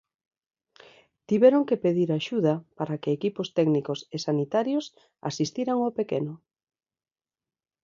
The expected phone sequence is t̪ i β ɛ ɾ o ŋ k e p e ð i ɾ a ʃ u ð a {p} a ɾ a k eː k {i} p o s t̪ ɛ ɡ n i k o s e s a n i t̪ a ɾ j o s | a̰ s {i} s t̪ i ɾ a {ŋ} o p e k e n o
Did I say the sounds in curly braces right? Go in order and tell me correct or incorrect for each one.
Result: correct, correct, correct, correct

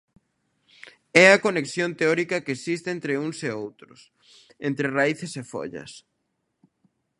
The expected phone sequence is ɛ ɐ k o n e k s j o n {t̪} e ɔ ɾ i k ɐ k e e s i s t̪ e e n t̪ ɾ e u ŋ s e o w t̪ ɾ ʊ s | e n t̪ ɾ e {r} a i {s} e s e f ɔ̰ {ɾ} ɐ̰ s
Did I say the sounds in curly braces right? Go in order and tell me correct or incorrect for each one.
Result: correct, correct, incorrect: θ, incorrect: ʎ

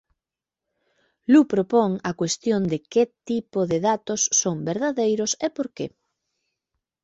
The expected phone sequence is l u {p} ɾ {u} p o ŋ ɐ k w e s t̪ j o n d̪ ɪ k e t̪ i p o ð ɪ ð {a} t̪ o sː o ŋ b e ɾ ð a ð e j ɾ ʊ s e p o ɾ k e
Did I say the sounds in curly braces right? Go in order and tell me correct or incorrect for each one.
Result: correct, incorrect: o, correct

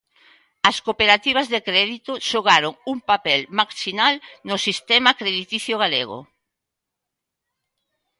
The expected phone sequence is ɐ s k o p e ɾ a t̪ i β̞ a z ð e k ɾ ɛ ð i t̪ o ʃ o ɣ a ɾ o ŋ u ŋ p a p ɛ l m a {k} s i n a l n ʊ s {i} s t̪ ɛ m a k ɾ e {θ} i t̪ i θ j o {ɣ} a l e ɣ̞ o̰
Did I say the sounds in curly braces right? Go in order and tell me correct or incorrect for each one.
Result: correct, correct, incorrect: ð, correct

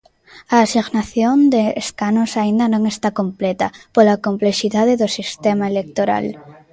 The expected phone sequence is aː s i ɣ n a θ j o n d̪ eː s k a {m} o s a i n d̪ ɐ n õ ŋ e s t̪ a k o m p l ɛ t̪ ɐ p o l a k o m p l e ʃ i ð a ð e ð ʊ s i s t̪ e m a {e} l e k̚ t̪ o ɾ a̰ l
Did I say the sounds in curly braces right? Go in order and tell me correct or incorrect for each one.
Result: incorrect: n, correct

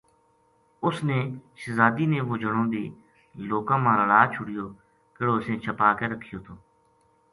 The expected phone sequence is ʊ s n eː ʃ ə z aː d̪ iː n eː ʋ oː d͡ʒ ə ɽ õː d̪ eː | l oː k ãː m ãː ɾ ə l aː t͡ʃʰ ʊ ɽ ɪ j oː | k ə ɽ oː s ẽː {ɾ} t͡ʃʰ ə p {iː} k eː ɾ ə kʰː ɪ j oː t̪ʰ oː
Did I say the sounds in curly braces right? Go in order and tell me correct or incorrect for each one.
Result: incorrect: none, incorrect: aː

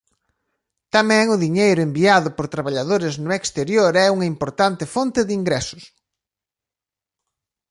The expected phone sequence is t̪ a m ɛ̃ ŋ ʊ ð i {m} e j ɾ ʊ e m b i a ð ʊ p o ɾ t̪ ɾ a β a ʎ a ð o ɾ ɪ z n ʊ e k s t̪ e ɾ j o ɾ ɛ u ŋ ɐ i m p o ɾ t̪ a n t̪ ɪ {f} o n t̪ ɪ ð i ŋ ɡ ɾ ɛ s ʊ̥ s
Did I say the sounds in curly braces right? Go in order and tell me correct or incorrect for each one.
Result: incorrect: ɲ, correct

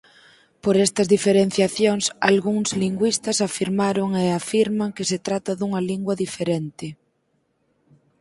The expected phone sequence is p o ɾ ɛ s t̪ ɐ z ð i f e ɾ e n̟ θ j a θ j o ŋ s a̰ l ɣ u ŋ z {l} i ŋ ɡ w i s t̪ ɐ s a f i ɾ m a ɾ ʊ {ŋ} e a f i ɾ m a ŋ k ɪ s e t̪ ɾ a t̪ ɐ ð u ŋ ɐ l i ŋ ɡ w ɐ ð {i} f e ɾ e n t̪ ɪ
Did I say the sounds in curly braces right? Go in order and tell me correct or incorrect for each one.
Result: correct, correct, correct

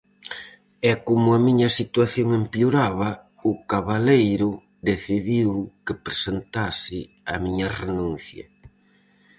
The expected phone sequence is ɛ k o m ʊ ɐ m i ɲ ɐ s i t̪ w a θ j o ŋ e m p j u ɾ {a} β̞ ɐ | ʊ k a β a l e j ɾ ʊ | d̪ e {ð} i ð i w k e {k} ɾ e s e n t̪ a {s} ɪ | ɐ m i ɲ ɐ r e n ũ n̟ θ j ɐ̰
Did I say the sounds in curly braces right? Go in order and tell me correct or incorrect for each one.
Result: correct, incorrect: θ, incorrect: p, correct

